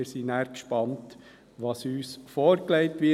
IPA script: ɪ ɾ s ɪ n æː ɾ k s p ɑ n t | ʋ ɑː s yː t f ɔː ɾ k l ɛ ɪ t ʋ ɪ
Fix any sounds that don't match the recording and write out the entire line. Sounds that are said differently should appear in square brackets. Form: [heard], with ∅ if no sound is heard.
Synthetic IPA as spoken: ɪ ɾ s [i] n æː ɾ k [ʃ] p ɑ n t | ʋ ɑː s yː [s] f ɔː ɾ k l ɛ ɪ t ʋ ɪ